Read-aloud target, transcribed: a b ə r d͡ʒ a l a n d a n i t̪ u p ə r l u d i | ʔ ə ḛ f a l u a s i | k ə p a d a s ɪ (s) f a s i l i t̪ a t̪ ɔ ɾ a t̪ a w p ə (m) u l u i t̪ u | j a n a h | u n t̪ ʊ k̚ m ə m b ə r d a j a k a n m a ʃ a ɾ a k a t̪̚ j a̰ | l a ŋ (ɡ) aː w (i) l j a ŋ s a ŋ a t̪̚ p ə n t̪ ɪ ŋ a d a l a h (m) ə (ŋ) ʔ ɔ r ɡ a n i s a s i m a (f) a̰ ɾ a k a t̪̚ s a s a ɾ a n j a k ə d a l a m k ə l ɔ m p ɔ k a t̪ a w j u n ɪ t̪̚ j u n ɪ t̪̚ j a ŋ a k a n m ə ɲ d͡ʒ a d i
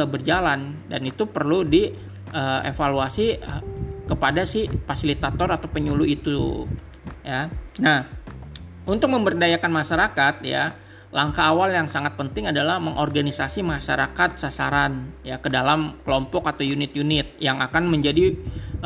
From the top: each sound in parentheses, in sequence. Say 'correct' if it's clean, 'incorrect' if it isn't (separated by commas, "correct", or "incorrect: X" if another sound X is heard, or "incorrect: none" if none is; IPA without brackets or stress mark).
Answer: incorrect: h, incorrect: ɲ, incorrect: k, incorrect: a, correct, correct, incorrect: ʃ